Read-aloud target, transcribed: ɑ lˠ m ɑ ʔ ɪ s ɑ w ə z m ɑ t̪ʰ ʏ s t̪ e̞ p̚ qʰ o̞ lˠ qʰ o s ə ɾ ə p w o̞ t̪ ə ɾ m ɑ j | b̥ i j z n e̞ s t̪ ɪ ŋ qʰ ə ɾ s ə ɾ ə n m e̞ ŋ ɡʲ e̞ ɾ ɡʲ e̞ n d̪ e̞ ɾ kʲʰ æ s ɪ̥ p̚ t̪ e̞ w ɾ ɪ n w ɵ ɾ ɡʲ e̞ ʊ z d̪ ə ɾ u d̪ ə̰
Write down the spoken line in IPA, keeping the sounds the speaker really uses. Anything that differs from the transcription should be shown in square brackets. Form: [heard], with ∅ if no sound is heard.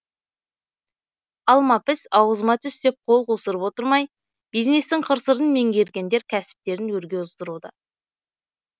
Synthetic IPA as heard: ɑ lˠ m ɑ [p] ɪ s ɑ w ə z m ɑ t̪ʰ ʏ s t̪ e̞ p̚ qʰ o̞ lˠ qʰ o s ə ɾ ə p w o̞ t̪ ə ɾ m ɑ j | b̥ i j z n e̞ s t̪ ɪ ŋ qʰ ə ɾ s ə ɾ ə n m e̞ ŋ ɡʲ e̞ ɾ ɡʲ e̞ n d̪ e̞ ɾ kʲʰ æ s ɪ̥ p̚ t̪ e̞ [∅] ɾ ɪ n w ɵ ɾ ɡʲ e̞ ʊ z d̪ ə ɾ u d̪ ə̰